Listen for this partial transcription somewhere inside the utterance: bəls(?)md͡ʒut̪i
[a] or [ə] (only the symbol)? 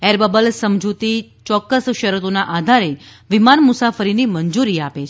ə